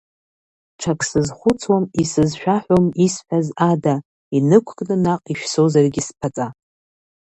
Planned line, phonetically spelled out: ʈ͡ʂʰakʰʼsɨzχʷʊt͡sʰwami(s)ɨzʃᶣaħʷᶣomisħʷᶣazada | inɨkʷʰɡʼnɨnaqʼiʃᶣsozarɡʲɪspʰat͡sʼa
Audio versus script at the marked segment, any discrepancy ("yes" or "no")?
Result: no